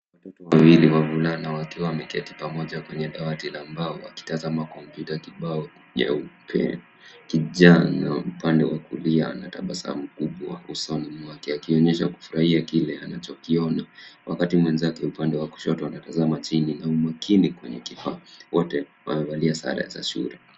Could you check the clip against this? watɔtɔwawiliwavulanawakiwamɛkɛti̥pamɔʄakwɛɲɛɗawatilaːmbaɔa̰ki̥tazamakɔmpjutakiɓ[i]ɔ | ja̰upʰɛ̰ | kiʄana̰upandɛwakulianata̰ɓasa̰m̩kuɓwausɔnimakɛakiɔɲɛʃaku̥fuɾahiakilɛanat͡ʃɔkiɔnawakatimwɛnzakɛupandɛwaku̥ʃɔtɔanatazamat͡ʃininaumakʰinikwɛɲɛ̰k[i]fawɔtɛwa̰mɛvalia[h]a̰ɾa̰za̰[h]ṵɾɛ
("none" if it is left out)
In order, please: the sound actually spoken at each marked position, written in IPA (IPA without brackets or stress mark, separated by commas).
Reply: a, i, s, ʃ